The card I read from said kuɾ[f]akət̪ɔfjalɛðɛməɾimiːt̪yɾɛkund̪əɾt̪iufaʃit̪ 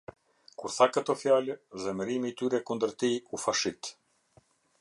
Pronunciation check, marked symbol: incorrect: θ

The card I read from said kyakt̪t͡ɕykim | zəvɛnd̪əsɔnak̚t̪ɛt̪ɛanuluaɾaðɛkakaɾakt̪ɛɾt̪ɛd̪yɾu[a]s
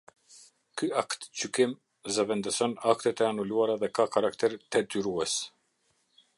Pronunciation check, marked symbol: incorrect: ɛ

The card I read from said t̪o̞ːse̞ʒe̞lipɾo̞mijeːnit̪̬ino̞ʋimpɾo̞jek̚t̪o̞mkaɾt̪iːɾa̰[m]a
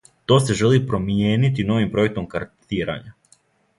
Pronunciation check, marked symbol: incorrect: ɲ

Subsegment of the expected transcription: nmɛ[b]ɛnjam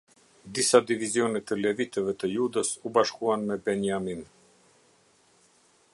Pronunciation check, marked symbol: correct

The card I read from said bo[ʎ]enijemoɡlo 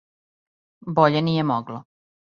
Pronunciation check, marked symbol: correct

